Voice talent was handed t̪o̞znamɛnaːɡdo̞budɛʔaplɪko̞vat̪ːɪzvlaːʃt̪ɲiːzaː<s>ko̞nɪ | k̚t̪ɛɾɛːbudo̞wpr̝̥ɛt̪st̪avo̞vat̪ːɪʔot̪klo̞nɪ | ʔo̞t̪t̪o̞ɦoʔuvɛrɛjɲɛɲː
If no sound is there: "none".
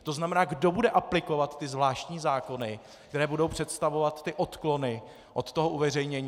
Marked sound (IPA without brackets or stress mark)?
none